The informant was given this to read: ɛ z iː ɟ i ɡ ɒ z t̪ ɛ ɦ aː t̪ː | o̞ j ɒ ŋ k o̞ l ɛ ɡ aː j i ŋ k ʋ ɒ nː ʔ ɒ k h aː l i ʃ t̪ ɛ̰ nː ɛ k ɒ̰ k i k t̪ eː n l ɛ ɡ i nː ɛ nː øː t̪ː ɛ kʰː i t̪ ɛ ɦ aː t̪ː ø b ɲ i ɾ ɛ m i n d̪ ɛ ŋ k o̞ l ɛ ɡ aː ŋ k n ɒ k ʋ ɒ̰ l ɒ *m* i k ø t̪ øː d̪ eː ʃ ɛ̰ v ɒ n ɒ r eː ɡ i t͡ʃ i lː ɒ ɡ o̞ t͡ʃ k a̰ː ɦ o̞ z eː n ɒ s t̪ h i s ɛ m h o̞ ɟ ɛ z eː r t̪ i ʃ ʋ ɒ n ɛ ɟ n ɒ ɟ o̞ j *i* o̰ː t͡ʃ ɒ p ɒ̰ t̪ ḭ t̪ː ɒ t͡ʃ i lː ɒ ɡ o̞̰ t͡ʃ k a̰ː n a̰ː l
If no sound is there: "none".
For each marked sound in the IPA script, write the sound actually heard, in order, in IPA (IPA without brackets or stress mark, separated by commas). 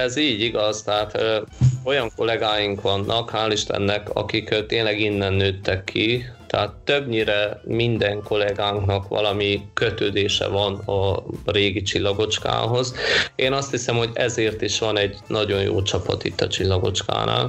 m, j